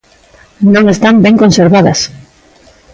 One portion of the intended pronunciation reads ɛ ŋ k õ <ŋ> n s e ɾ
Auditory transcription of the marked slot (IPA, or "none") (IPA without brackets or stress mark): none